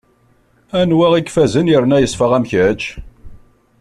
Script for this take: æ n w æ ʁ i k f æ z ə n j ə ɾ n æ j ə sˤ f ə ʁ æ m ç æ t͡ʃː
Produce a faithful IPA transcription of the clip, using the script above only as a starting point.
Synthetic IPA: æ n w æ ʁ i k f æ z ə n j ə ɾ n æ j ə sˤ f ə ʁ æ m ç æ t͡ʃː